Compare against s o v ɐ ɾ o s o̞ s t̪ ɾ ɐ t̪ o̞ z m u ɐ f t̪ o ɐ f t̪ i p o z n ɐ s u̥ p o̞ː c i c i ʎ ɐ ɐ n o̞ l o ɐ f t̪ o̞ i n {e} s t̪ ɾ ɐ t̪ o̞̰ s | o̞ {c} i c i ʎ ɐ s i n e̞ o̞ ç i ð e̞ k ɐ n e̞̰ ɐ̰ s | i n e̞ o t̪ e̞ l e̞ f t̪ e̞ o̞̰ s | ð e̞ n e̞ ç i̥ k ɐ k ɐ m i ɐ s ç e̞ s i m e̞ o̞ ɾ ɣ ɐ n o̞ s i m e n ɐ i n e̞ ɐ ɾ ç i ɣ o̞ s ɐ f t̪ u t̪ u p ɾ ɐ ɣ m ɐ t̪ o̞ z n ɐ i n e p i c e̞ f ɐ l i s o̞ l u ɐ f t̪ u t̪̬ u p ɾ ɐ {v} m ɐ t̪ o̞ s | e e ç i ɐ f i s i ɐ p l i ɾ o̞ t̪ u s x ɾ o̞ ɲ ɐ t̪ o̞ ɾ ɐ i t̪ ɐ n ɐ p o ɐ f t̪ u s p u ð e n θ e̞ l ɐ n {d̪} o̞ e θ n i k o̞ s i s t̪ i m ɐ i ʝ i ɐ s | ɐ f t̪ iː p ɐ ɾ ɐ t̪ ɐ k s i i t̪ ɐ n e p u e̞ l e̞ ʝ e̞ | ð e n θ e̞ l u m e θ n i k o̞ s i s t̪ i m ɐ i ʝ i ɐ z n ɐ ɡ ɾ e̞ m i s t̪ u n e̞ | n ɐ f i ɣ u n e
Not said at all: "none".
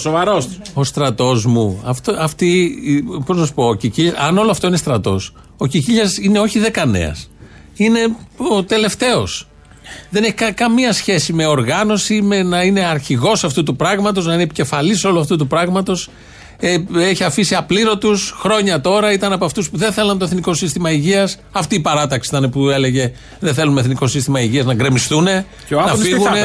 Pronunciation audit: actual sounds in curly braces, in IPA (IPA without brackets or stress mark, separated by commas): e, c, ɣ, t̪